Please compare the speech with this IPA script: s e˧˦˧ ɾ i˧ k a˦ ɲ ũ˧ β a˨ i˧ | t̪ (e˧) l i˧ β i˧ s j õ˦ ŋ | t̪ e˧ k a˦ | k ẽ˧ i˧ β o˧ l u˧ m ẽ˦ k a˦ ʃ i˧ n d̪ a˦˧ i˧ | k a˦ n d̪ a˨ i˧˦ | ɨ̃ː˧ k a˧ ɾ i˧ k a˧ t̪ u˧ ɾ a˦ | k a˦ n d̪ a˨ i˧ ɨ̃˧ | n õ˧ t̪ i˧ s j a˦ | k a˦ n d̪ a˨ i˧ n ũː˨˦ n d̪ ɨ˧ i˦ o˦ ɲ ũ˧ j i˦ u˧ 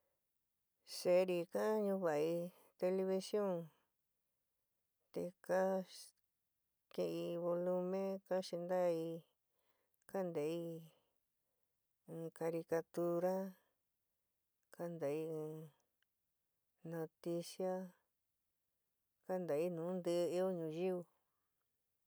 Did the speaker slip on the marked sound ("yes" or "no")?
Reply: no